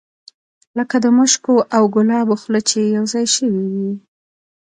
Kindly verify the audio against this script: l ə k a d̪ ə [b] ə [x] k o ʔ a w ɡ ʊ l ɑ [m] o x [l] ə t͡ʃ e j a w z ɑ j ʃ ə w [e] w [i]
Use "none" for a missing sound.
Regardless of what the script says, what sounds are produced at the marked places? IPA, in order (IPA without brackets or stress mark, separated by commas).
m, ʃ, b, l, i, i